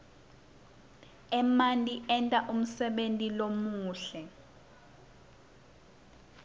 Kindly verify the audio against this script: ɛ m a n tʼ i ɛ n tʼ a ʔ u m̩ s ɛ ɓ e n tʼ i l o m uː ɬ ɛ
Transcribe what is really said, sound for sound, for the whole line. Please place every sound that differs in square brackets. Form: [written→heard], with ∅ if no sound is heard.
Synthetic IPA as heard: ɛ m a n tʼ i ɛ n tʼ a ʔ u m̩ s ɛ ɓ e n tʼ i l o m uː ɬ ɛ